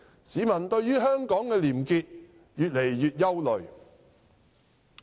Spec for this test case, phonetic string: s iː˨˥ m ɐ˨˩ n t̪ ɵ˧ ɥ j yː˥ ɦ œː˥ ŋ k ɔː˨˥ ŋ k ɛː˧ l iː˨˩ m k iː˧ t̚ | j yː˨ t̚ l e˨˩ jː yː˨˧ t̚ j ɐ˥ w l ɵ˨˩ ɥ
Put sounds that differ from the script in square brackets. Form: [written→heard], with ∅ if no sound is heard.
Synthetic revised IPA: s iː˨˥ m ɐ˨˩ n t̪ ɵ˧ ɥ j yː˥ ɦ œː˥ ŋ k ɔː˨˥ ŋ k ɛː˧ l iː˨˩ m k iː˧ t̚ | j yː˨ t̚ l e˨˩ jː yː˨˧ t̚ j ɐ˥ w l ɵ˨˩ ɥ